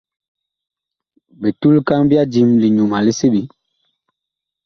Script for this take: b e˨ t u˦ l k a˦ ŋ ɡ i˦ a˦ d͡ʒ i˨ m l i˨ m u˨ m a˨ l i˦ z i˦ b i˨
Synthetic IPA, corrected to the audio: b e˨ t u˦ l k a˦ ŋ b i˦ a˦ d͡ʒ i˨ m l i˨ ɲ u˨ m a˨ l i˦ s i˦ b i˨